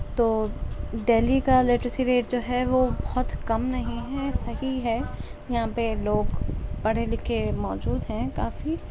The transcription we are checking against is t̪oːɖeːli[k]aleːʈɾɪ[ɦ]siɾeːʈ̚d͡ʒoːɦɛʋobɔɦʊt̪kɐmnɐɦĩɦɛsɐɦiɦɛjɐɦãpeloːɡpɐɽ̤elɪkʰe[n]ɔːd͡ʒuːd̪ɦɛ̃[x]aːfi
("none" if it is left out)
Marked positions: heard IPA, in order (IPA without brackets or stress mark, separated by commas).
k, none, m, k